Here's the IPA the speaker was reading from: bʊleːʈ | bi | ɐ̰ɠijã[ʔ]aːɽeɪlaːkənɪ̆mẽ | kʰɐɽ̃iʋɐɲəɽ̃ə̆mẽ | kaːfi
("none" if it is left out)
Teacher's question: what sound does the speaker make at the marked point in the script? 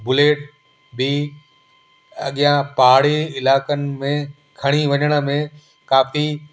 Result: p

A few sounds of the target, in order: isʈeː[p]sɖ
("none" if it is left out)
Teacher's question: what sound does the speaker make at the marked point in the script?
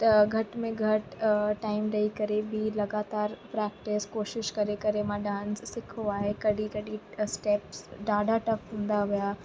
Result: p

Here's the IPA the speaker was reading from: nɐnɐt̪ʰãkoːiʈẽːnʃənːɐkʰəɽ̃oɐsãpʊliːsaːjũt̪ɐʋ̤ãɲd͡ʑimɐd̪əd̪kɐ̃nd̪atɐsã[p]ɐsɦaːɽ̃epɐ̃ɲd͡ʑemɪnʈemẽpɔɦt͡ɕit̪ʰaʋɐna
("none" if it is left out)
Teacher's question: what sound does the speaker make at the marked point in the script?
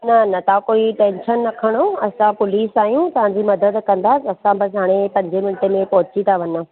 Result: b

